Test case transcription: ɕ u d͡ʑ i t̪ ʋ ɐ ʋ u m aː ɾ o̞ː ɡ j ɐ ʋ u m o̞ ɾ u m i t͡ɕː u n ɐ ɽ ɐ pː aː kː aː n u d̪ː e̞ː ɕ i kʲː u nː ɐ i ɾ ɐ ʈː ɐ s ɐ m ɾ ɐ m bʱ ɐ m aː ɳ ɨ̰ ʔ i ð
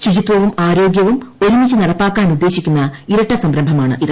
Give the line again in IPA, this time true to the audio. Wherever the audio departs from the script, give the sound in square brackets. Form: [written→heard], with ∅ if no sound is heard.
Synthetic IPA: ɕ u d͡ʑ i t̪ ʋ ɐ ʋ u m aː ɾ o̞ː ɡ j ɐ ʋ u m o̞ ɾ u m i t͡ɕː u n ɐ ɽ ɐ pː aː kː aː n u d̪ː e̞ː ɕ i kʲː u nː ɐ i ɾ ɐ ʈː ɐ s ɐ m ɾ ɐ m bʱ ɐ m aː ɳ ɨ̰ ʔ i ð